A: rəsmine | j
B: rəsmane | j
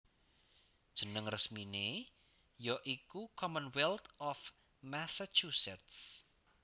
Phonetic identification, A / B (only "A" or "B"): A